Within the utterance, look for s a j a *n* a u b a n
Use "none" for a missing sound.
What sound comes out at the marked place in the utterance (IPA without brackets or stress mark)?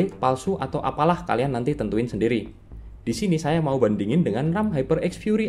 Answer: m